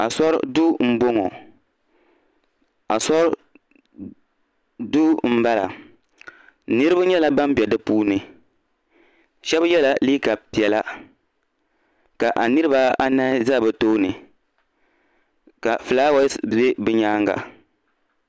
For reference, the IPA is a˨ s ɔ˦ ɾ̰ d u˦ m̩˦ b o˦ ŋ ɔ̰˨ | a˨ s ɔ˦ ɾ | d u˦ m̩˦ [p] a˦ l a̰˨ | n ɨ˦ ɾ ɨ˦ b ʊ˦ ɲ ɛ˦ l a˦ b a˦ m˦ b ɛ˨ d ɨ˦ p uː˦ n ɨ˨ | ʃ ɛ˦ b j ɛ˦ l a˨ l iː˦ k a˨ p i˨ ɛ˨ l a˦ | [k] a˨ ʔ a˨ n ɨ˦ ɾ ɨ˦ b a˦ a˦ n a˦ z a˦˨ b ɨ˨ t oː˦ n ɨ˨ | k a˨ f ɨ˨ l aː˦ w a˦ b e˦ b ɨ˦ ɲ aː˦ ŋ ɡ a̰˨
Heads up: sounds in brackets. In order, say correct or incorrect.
incorrect: b, correct

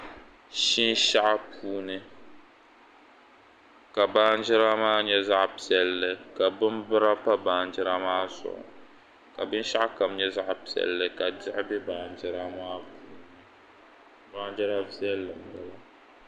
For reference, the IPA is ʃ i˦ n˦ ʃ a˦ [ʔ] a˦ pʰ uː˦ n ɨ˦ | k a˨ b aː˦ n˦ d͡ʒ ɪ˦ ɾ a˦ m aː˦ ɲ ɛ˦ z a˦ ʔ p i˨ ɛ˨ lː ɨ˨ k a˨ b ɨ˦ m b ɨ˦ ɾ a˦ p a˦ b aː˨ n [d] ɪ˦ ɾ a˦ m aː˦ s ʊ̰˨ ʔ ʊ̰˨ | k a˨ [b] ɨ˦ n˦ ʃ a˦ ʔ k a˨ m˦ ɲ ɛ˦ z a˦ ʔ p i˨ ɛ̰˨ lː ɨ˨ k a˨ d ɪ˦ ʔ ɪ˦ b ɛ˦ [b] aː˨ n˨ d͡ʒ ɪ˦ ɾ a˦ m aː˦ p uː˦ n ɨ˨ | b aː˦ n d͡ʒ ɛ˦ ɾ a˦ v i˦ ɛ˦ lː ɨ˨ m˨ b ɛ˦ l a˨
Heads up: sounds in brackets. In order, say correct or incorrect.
correct, incorrect: d͡ʒ, correct, correct

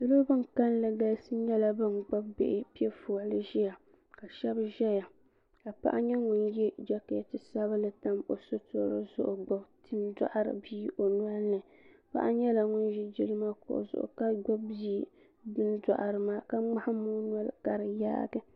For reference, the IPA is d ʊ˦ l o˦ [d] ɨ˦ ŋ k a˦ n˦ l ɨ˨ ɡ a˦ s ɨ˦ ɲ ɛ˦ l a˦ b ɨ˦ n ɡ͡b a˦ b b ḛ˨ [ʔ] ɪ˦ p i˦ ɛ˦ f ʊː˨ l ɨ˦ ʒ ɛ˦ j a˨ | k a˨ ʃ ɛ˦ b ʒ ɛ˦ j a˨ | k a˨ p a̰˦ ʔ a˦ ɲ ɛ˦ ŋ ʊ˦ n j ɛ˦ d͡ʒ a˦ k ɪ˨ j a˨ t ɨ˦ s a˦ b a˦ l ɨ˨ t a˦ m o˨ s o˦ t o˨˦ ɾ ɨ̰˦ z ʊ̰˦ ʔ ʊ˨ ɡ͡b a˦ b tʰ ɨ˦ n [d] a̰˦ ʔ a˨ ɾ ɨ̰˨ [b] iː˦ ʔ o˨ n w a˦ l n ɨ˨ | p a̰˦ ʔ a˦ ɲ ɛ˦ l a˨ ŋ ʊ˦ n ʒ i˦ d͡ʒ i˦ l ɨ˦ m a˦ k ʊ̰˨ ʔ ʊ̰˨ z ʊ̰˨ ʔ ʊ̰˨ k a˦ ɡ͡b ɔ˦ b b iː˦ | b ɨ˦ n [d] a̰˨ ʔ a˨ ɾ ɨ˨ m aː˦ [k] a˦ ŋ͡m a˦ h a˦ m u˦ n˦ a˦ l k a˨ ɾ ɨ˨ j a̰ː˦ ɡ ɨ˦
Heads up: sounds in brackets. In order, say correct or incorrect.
incorrect: b, correct, correct, correct, correct, correct

